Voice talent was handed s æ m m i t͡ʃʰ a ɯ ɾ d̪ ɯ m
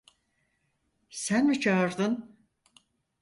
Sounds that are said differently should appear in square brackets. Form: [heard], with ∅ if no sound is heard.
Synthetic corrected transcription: s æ [n] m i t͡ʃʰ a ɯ ɾ d̪ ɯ [n]